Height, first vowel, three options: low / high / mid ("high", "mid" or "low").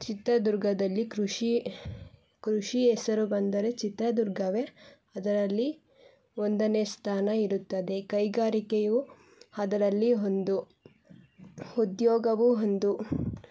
high